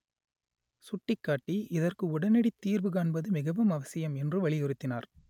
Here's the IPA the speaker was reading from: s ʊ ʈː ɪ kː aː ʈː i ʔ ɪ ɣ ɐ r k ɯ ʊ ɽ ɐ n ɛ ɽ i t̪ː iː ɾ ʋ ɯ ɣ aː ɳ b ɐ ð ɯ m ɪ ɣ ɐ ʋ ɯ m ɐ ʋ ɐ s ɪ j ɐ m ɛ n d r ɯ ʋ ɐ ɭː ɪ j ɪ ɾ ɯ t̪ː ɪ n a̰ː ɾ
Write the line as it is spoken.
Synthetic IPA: s ʊ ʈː ɪ kː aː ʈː i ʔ ɪ ð ɐ r k ɯ ʊ ɽ ɐ n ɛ ɽ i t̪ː iː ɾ ʋ ɯ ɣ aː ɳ b ɐ ð ɯ m ɪ ɣ ɐ ʋ ɯ m ɐ ʋ ɐ s ɪ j ɐ m ɛ n d r ɯ ʋ ɐ ɭ ɪ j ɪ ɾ ɯ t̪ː ɪ n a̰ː ɾ